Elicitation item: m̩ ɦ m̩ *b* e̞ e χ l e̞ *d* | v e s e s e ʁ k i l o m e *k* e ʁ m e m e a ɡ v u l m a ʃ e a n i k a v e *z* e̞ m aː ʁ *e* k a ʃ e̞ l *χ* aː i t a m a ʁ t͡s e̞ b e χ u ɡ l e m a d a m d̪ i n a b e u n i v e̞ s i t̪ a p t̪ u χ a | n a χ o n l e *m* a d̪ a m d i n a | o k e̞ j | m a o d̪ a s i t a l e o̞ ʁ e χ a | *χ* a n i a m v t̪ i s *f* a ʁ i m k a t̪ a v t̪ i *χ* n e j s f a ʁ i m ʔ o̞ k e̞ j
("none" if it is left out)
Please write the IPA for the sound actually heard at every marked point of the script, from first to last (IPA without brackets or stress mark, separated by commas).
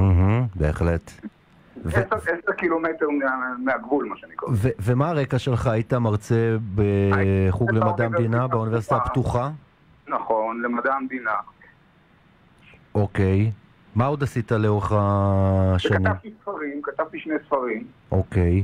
b, t, t, v, e, χ, m, ʃ, f, ʃ